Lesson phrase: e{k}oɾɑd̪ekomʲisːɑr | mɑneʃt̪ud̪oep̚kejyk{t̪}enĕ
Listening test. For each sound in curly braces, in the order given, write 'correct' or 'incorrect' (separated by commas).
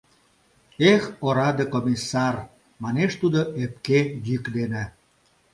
incorrect, incorrect